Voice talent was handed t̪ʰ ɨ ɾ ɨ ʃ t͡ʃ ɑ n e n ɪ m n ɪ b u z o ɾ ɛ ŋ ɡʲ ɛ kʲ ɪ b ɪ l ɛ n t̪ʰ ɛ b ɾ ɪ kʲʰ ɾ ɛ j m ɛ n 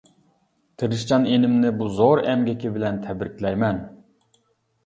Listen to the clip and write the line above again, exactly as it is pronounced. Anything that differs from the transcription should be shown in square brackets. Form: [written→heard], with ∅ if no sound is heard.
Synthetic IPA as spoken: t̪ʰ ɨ ɾ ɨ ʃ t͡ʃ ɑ n e n ɪ m n ɪ b u z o ɾ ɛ [ŋ→m] ɡʲ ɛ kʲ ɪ b ɪ l ɛ n t̪ʰ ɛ b ɾ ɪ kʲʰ [ɾ→l] ɛ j m ɛ n